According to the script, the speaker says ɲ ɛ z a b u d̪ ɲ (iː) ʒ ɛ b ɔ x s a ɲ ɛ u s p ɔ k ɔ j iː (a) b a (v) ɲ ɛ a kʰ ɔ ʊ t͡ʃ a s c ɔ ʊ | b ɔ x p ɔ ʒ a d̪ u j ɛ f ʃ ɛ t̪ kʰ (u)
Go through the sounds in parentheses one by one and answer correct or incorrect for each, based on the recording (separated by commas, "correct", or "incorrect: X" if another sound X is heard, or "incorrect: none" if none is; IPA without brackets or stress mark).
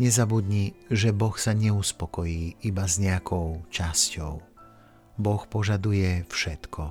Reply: incorrect: i, incorrect: i, incorrect: z, incorrect: ɔ